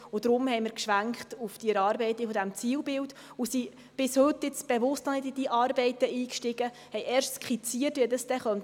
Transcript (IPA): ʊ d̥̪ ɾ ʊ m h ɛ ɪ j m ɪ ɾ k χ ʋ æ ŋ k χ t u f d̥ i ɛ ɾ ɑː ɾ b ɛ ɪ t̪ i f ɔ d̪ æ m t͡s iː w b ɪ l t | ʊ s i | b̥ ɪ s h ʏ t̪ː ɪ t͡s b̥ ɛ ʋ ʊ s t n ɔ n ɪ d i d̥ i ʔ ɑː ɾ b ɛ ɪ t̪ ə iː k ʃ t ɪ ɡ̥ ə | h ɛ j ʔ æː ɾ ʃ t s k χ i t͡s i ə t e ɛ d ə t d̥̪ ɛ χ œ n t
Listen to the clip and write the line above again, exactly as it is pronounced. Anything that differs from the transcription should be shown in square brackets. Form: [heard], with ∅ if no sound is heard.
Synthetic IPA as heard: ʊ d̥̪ ɾ ʊ m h ɛ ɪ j m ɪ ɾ k [ʃ] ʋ æ ŋ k χ t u f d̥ i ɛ ɾ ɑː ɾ b ɛ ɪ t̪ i f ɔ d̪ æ m t͡s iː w b ɪ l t | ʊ s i | b̥ ɪ s h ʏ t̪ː ɪ t͡s b̥ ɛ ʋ ʊ s t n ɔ n ɪ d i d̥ i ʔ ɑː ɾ b ɛ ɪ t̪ ə iː k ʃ t ɪ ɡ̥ ə | h ɛ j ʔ [ɛː] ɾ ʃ t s k χ i t͡s i ə t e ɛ d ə [s] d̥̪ ɛ χ œ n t